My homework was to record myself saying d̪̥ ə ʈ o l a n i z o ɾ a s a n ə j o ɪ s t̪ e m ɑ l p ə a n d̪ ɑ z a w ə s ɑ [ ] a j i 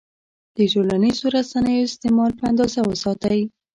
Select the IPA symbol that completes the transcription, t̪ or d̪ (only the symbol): t̪